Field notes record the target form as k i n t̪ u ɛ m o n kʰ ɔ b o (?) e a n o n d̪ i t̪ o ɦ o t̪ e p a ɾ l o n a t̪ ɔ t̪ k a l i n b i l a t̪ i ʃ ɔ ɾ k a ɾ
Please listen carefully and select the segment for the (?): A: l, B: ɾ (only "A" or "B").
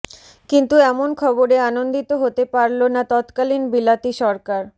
B